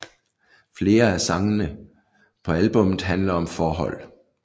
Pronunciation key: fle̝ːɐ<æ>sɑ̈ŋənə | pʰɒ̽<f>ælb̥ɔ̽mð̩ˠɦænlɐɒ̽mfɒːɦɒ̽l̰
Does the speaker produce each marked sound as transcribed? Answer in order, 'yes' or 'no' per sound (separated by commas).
yes, no